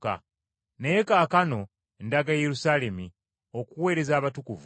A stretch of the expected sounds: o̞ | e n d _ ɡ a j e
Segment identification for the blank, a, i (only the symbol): a